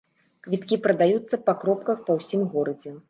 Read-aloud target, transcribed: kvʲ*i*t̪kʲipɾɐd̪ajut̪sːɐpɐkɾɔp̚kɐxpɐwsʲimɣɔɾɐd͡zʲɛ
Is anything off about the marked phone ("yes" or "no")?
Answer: no